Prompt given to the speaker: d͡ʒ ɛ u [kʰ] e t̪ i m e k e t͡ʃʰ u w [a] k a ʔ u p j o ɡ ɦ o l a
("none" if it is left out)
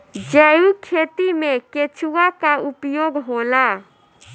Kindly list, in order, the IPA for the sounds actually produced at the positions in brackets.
kʰ, a

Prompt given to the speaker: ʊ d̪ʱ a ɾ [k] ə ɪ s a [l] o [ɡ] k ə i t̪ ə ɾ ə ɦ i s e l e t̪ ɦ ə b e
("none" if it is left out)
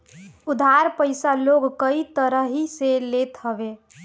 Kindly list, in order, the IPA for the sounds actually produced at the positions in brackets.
p, l, ɡ

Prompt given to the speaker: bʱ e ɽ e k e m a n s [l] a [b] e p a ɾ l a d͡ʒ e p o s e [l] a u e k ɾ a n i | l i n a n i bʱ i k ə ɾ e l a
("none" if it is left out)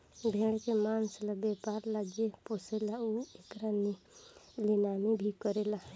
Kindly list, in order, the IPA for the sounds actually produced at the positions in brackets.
l, b, l

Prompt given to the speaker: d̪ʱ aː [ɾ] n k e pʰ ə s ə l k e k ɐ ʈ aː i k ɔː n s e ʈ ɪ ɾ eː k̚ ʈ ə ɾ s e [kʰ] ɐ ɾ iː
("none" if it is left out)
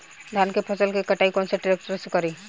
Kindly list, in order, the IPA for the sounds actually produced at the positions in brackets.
none, k

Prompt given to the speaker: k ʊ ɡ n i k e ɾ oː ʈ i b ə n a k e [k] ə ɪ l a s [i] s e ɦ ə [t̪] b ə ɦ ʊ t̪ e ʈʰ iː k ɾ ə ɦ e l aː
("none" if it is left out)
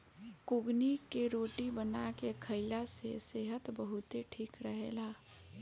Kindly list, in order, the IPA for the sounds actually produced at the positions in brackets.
kʰ, e, t̪

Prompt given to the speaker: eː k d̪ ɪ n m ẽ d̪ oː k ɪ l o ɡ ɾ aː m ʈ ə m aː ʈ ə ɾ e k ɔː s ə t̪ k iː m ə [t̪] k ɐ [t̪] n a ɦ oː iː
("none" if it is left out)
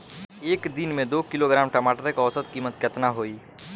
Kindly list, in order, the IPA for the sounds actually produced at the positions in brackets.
t̪, t̪

